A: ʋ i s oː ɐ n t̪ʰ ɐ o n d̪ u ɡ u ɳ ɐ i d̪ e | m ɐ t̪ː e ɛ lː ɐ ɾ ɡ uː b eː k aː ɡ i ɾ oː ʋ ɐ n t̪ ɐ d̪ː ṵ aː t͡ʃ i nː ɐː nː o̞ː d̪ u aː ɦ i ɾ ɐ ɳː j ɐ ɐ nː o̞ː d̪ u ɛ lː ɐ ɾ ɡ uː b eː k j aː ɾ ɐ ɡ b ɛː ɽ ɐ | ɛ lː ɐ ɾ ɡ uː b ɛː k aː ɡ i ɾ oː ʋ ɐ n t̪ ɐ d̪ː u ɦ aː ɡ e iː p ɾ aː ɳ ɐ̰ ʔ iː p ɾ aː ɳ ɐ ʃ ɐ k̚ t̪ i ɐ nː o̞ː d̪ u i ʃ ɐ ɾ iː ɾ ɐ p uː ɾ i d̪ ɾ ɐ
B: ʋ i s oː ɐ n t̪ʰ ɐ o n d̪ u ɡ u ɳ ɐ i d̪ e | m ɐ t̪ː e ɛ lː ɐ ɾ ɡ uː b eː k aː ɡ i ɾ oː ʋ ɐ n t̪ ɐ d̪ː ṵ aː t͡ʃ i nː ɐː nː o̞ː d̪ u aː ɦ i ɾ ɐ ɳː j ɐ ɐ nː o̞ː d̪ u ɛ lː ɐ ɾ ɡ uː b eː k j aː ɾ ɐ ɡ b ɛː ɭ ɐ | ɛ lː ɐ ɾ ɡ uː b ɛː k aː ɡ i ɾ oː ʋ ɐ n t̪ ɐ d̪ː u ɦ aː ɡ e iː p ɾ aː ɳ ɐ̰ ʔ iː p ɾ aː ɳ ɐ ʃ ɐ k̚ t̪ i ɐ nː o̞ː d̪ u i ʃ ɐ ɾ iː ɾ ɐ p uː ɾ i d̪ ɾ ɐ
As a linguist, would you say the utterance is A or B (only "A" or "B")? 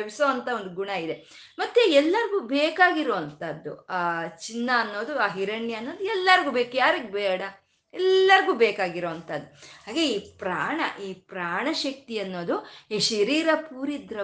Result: A